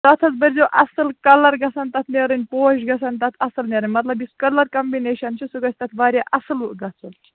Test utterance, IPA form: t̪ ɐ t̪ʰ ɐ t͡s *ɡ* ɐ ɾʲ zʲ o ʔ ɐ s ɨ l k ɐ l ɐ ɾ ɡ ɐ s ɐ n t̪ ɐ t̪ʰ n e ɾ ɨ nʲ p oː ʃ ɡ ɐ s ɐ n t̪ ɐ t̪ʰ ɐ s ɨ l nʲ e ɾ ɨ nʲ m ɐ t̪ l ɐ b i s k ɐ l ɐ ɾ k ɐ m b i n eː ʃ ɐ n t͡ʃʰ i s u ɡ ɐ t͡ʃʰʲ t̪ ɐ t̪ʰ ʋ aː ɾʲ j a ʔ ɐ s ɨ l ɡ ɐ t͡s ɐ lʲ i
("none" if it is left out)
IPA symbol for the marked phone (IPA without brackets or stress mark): b